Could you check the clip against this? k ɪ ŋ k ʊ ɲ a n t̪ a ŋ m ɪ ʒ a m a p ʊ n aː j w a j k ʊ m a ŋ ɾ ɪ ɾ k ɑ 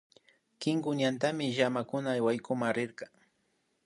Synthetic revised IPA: k ɪ ŋ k ʊ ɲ a n t̪ a m ɪ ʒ a m a k ʊ n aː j w a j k ʊ m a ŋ ɾ ɪ ɾ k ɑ